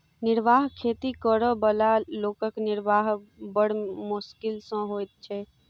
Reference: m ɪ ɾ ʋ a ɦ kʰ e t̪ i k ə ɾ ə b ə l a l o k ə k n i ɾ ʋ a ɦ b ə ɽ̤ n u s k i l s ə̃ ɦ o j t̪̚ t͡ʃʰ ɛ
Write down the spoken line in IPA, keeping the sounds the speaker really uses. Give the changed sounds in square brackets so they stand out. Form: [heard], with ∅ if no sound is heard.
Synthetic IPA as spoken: [n] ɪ ɾ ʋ a ɦ kʰ e t̪ i k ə ɾ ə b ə l a l o k ə k n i ɾ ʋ a ɦ b ə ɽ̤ [m] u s k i l s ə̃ ɦ o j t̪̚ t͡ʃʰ ɛ